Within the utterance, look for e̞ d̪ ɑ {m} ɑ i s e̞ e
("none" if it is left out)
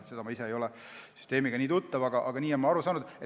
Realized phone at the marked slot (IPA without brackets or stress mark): m